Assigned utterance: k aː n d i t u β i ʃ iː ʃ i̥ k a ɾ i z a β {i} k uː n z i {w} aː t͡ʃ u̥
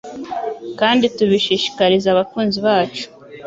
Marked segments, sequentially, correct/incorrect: incorrect: a, incorrect: β

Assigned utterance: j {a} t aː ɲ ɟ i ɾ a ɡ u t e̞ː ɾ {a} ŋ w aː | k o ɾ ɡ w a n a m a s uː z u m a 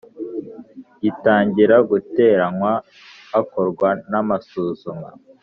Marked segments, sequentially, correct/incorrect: incorrect: i, correct

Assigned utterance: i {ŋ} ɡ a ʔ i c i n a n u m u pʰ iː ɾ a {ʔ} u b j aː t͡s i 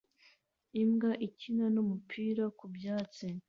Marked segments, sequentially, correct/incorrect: incorrect: m, incorrect: k

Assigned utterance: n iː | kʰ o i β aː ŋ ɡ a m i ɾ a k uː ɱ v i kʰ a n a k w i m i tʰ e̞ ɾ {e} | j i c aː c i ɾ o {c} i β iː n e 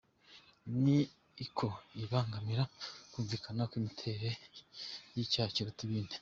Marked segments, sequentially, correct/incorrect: correct, incorrect: t

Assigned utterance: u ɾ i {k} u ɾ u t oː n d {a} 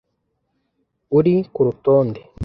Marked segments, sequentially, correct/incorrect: correct, incorrect: e

